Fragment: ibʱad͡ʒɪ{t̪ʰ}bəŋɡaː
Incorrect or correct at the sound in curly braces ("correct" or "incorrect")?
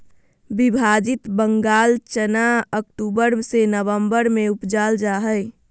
incorrect